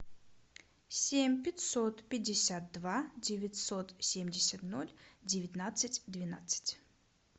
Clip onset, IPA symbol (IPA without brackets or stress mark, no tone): sʲ